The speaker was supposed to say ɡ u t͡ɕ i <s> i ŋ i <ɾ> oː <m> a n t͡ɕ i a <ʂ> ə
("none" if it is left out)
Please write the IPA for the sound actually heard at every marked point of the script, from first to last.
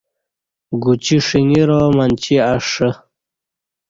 ʂ, ɾ, m, ʂ

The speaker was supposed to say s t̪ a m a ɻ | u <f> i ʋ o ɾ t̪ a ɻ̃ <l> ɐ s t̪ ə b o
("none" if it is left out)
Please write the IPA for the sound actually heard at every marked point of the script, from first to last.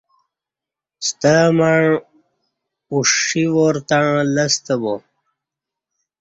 ʂ, l

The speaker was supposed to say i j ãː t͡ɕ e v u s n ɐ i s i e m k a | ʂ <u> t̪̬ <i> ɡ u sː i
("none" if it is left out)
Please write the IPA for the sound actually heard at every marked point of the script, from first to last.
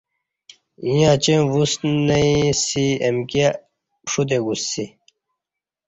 u, e

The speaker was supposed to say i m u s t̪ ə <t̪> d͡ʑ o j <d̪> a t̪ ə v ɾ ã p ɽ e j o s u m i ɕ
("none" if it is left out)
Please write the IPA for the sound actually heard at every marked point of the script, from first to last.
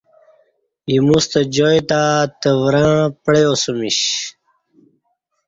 none, t̪

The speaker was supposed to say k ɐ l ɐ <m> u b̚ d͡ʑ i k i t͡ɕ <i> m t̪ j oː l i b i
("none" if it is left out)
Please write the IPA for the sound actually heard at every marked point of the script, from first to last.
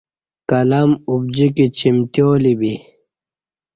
m, i

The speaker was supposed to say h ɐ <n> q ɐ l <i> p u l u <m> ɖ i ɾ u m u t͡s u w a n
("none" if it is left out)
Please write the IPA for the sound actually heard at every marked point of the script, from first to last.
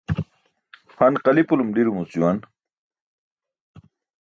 n, i, m

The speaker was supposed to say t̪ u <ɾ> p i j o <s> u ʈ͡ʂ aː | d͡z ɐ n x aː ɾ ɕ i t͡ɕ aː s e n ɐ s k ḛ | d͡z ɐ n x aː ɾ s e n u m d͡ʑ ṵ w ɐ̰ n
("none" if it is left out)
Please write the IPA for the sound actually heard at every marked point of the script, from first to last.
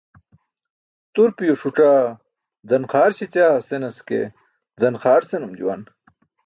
ɾ, ʂ

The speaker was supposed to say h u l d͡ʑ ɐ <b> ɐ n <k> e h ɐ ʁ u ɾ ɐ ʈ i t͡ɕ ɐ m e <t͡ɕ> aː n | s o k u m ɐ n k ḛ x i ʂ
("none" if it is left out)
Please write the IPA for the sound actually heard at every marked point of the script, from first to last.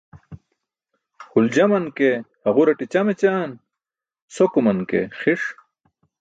m, k, t͡ɕ

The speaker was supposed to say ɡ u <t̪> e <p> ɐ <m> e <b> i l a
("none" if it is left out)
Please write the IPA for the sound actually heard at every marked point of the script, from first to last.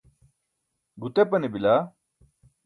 t̪, p, n, b

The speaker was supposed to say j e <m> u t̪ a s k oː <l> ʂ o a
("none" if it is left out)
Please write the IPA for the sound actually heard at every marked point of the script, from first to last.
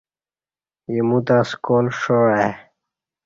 m, l

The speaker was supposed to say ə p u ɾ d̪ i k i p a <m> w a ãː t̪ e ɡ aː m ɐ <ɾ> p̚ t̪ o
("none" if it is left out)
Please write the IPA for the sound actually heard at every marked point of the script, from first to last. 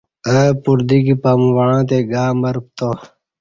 m, ɾ

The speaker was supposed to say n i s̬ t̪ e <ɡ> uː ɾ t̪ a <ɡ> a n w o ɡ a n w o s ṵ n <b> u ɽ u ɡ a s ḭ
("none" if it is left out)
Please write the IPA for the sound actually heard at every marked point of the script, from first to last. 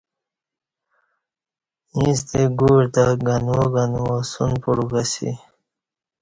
ɡ, ɡ, p

